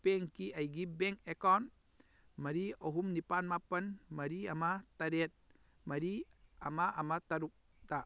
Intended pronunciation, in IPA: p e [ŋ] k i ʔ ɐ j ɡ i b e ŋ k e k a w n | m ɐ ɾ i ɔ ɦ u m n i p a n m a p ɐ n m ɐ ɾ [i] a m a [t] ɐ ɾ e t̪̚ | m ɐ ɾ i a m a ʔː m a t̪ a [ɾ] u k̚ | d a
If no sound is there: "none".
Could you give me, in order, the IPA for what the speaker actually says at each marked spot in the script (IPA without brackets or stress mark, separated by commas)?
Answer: ŋ, i, t, ɾ